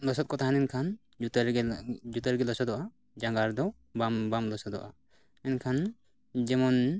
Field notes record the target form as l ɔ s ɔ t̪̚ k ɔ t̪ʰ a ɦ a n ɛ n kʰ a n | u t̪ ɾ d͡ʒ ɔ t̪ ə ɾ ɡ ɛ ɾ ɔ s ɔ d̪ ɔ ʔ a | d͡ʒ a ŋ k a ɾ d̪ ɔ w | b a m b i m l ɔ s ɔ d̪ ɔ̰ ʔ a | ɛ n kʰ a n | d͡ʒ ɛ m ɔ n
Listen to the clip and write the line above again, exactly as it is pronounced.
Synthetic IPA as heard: l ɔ s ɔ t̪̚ k ɔ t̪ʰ a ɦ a n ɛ n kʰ a n | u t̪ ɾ d͡ʒ u t̪ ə ɾ ɡ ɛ l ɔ s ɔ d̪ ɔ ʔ a | d͡ʒ a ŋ ɡ a ɾ d̪ ɔ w | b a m b a m l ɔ s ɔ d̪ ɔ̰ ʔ a | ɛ n kʰ a n | d͡ʒ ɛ m ɔ n